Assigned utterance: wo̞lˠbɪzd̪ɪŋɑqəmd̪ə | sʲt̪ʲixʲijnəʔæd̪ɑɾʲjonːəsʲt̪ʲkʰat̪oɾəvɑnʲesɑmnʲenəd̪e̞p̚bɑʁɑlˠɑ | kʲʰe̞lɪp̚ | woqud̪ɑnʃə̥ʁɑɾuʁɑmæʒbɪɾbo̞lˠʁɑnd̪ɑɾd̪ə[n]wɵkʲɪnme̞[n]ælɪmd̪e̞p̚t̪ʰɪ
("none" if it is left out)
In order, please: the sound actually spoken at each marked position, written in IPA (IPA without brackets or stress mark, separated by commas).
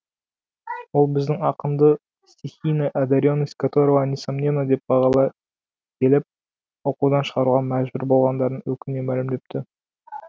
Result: n, m